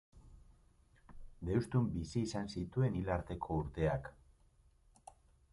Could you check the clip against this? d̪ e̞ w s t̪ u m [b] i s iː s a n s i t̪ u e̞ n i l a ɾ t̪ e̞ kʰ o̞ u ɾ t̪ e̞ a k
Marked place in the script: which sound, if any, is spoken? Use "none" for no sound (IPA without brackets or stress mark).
b